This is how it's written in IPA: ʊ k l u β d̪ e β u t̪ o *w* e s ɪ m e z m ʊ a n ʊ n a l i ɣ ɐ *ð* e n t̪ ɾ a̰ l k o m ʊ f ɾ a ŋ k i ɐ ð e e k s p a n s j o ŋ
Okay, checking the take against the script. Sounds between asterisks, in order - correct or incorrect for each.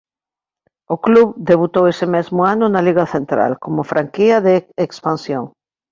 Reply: correct, incorrect: θ

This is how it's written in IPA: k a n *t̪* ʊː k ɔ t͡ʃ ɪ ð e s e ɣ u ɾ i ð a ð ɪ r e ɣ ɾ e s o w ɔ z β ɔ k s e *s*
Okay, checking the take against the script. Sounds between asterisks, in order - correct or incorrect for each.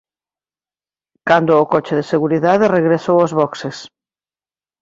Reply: incorrect: d̪, correct

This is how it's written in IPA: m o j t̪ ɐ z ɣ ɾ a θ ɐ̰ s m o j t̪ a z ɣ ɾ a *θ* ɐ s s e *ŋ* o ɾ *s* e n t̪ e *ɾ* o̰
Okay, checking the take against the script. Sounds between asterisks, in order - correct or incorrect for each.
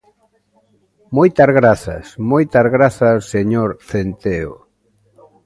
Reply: correct, incorrect: ɲ, incorrect: θ, incorrect: none

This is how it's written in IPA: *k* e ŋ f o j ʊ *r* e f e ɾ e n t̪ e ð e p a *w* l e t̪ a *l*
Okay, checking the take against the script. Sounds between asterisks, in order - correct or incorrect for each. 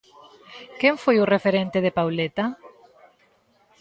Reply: correct, correct, correct, incorrect: none

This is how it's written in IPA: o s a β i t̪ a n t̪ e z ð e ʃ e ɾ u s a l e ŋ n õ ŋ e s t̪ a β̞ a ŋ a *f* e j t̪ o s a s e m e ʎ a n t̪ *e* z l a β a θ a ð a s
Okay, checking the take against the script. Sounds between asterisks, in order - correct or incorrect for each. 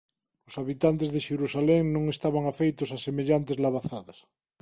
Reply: correct, correct

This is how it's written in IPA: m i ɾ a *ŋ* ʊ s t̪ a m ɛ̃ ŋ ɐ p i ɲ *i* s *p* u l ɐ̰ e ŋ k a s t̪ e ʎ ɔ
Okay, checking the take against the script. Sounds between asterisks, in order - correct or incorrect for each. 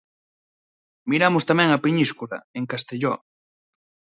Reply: incorrect: m, correct, incorrect: k

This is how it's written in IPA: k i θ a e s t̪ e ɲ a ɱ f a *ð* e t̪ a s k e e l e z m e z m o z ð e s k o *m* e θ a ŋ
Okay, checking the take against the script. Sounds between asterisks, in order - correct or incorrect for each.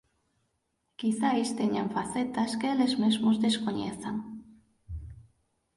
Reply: incorrect: θ, incorrect: ɲ

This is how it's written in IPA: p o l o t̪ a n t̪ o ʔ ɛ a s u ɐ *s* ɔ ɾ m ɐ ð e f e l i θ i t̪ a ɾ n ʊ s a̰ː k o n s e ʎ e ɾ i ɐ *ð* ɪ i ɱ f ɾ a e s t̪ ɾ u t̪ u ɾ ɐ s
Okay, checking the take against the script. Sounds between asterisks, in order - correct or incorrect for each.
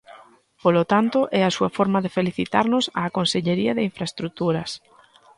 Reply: incorrect: f, correct

